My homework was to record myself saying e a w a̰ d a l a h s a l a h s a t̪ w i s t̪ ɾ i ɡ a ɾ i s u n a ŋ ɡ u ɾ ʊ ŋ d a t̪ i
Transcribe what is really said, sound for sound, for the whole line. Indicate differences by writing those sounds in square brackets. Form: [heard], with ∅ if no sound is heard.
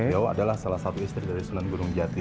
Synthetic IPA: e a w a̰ d a l a h s a l a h s a t̪ [u] i s t̪ ɾ i [d] a ɾ i s u n a [n] ɡ u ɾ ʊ ŋ [d͡ʒ] a t̪ i